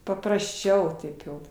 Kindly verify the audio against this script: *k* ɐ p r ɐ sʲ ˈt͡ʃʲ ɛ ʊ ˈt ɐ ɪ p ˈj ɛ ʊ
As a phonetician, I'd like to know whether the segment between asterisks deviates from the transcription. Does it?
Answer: yes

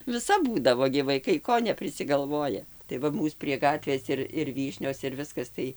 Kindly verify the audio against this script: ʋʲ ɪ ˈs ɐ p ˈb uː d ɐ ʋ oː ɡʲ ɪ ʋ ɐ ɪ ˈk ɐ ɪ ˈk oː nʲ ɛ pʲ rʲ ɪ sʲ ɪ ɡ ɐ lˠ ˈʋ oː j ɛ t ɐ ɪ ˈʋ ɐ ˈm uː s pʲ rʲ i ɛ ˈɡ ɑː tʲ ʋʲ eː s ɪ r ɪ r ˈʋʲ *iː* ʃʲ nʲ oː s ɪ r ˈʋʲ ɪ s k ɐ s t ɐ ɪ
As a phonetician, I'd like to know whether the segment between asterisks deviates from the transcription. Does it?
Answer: no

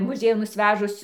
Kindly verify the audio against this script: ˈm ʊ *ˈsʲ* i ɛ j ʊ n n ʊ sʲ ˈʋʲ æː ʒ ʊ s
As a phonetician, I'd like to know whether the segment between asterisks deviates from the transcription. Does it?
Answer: yes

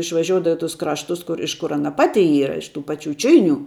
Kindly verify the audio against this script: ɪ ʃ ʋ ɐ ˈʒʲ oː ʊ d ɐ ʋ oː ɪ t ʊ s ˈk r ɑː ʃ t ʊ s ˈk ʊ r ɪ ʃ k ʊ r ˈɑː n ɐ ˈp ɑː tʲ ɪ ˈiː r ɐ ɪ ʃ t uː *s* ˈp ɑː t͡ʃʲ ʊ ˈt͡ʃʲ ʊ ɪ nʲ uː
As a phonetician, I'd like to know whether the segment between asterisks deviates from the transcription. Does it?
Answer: yes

